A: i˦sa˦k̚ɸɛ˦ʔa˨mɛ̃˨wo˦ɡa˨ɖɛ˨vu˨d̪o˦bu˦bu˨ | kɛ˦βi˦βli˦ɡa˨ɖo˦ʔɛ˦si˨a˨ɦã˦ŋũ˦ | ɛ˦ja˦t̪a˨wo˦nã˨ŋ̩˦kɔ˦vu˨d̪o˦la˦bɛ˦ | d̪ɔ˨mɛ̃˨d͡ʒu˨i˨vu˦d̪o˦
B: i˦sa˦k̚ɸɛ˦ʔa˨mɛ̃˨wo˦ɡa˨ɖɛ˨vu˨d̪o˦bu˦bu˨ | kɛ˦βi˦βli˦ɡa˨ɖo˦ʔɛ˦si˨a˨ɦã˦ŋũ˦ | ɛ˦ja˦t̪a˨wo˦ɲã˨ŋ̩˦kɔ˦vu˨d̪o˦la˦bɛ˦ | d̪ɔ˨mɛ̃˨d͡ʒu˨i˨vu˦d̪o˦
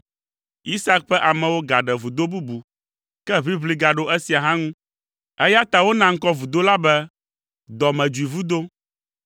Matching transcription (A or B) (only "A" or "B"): A